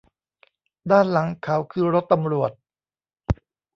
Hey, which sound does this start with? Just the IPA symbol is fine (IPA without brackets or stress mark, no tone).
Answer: d